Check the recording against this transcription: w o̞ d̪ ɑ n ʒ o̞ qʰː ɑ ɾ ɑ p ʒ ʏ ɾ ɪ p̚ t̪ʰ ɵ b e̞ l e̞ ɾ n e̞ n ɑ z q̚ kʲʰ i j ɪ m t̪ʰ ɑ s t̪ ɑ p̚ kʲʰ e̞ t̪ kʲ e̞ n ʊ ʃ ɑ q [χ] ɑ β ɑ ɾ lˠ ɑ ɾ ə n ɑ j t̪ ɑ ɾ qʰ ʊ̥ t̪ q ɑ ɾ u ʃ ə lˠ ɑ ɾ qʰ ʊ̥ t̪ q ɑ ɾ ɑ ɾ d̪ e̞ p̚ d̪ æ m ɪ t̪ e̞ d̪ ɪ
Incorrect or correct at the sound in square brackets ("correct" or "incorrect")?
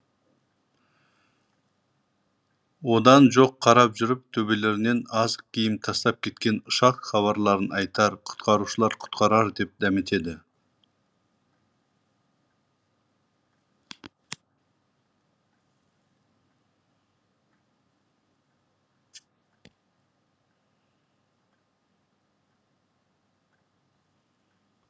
correct